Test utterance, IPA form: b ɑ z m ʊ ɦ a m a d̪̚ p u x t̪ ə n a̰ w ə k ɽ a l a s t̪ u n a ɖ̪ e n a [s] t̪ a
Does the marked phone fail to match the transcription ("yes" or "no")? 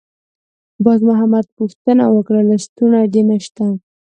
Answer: yes